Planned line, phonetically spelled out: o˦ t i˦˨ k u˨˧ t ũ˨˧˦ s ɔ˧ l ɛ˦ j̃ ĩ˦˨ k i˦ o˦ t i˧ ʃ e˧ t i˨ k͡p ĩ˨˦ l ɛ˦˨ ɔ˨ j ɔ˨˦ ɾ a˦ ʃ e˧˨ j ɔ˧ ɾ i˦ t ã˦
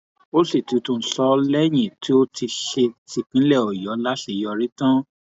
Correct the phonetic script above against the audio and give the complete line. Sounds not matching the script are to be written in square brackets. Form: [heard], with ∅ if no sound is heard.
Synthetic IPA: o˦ [s] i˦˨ [t] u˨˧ t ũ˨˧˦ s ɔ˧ l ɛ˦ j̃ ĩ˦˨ [t] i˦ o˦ t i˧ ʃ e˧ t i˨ k͡p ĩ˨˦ l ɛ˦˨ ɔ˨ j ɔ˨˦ [l] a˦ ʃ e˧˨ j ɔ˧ ɾ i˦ t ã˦